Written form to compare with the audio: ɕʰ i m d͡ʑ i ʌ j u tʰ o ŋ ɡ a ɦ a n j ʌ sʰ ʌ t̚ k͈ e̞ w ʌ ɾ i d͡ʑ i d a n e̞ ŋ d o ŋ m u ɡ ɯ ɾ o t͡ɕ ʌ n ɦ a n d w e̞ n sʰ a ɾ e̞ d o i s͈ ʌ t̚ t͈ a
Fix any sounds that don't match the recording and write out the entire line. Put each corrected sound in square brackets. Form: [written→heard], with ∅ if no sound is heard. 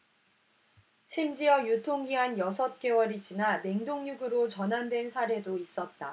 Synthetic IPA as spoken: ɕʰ i m d͡ʑ i ʌ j u tʰ o ŋ ɡ [a→i] ɦ a n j ʌ sʰ ʌ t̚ k͈ e̞ w ʌ ɾ i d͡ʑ i [d→n] a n e̞ ŋ d o ŋ [m→ɲ] u ɡ ɯ ɾ o t͡ɕ ʌ n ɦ a n d w e̞ n sʰ a ɾ e̞ d o i s͈ ʌ t̚ t͈ a